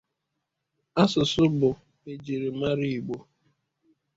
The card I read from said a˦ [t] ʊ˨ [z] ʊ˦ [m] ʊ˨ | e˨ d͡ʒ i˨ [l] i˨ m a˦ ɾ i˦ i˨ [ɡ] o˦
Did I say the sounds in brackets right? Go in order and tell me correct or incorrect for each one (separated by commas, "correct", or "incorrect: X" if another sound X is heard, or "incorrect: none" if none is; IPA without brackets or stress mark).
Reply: incorrect: s, incorrect: s, incorrect: b, incorrect: ɾ, incorrect: ɡ͡b